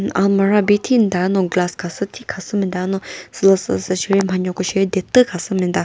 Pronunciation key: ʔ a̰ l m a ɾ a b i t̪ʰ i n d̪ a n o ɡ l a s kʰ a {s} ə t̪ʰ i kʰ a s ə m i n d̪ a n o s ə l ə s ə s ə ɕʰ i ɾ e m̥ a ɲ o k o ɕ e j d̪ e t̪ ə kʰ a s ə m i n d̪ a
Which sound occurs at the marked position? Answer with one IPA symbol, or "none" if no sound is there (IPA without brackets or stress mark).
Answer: s